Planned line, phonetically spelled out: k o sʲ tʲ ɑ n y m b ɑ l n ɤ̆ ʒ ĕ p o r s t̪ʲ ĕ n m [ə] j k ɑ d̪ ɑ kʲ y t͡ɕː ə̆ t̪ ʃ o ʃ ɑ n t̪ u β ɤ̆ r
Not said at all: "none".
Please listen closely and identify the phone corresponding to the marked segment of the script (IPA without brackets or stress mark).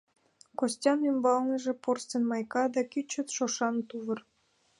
ɑ